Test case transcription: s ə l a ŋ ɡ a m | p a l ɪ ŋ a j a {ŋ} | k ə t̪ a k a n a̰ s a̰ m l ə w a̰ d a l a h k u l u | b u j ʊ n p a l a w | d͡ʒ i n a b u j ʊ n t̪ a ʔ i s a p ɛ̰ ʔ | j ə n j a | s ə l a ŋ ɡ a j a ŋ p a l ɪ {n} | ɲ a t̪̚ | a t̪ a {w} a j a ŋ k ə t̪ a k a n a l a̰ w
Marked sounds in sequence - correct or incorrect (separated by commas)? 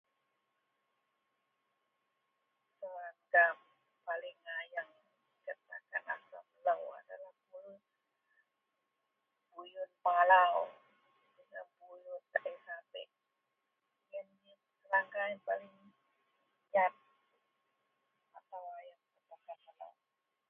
correct, incorrect, correct